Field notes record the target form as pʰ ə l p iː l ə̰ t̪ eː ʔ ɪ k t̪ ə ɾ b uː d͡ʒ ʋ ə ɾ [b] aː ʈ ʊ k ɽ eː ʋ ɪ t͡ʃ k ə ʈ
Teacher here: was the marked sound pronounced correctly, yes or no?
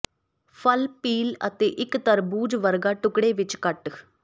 no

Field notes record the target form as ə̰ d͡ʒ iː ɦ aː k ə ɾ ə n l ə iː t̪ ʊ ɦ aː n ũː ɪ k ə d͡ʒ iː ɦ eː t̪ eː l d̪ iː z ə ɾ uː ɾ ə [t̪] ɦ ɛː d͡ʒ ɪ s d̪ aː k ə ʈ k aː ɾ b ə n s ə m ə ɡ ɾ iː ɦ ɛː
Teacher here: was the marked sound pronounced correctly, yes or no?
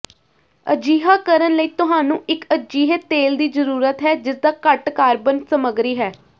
yes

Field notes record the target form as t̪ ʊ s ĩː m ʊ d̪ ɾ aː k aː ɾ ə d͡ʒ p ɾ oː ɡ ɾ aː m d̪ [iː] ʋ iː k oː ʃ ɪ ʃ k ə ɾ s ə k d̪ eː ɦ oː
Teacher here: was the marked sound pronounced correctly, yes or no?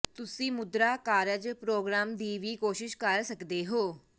yes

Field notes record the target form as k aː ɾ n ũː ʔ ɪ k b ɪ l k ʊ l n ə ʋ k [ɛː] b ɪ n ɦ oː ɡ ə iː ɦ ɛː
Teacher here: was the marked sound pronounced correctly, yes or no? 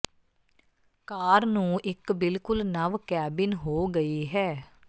yes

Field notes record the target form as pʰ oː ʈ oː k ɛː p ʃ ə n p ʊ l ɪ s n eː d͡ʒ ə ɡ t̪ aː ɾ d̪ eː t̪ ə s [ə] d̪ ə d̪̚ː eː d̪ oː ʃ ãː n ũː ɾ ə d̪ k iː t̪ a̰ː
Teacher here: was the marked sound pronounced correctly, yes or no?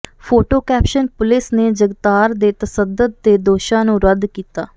yes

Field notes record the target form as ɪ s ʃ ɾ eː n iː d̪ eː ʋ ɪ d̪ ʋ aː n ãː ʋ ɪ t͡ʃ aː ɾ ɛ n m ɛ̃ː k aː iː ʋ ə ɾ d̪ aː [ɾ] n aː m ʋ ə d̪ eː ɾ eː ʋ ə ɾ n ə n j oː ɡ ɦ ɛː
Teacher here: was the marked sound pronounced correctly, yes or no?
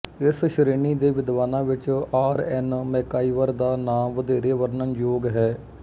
no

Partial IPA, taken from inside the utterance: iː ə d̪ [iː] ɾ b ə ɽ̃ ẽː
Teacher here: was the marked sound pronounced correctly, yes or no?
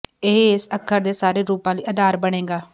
no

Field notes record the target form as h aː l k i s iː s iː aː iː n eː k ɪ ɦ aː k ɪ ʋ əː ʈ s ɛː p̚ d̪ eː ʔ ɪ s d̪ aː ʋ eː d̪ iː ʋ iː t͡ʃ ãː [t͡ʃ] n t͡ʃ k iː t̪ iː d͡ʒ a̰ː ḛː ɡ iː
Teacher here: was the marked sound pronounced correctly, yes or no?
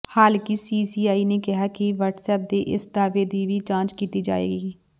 no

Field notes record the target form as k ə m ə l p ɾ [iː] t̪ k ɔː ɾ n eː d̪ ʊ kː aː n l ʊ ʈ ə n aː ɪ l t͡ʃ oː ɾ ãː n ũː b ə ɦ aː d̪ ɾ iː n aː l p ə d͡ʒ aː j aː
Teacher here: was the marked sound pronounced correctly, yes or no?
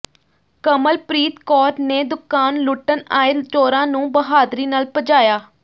yes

